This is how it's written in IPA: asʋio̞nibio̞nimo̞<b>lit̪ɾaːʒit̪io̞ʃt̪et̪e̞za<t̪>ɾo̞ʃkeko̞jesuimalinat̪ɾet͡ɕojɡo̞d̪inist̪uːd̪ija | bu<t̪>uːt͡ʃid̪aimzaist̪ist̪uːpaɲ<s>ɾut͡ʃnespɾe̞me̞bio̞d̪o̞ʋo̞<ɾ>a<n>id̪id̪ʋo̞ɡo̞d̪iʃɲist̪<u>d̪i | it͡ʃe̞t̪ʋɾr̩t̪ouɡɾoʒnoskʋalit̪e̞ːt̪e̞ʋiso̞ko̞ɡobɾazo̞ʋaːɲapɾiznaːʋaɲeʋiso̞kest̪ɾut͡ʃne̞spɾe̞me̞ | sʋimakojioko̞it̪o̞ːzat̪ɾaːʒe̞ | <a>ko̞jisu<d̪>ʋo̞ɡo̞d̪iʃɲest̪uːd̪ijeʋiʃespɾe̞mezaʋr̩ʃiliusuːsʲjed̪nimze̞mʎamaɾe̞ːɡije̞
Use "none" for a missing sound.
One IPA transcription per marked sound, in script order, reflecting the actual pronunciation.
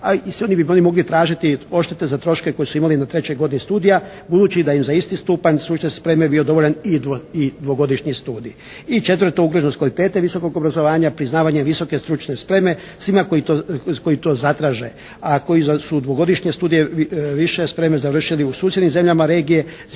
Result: ɡ, t̪, d̪, s, ʎ, n, uː, a, d̪

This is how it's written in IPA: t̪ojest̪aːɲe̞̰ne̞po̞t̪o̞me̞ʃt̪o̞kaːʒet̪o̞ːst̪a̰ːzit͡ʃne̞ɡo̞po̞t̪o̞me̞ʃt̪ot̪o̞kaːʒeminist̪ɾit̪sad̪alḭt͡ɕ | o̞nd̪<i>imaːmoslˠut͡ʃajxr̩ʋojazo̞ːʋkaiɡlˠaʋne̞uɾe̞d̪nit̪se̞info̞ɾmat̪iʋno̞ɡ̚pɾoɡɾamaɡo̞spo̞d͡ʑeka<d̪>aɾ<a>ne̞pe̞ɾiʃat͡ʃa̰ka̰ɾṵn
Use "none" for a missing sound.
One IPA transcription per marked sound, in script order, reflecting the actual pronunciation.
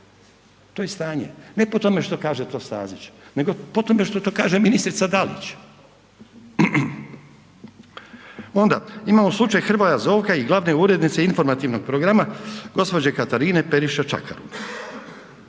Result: a, t̪, i

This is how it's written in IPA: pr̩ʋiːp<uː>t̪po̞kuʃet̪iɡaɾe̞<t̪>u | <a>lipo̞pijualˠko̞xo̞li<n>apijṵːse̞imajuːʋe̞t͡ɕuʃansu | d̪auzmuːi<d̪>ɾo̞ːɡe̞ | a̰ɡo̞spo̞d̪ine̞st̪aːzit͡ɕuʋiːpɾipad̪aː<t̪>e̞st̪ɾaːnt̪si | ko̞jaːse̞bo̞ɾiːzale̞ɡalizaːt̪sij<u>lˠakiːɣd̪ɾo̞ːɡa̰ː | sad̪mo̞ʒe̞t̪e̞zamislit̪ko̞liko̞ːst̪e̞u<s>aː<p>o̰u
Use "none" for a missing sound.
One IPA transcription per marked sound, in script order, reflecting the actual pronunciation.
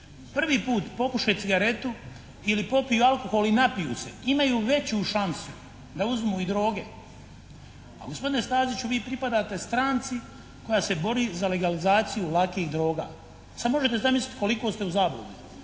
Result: uː, t̪, i, n, d̪, t̪, u, z, b

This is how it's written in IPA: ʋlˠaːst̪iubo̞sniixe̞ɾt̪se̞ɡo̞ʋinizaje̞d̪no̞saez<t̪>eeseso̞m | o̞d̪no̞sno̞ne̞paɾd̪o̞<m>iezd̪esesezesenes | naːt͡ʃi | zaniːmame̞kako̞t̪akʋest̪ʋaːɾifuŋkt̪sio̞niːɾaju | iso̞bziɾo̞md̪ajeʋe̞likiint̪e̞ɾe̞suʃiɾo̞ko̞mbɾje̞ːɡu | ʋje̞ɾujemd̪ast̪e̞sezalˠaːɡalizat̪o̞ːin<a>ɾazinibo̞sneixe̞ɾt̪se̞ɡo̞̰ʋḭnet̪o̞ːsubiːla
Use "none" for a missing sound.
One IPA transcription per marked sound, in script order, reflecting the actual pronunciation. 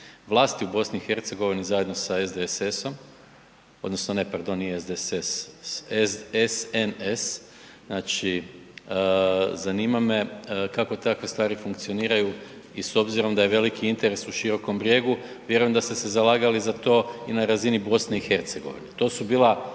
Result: d̪, n, a

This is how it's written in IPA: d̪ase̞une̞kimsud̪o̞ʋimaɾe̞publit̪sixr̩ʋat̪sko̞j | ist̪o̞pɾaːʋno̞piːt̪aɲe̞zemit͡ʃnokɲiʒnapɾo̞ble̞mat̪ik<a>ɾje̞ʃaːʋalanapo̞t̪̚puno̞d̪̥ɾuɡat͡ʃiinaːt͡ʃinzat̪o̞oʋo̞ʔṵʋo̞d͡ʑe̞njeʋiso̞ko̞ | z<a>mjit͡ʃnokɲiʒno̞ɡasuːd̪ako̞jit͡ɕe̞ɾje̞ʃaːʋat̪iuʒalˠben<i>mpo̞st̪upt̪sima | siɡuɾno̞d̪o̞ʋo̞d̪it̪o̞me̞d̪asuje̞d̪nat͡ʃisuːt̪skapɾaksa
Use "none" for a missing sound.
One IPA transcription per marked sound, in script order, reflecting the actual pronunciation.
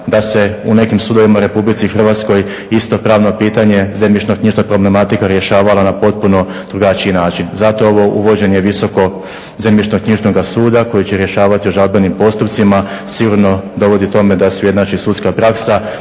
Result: a, e, i

